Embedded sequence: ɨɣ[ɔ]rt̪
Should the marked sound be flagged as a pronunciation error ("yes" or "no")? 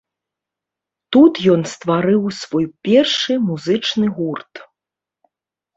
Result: yes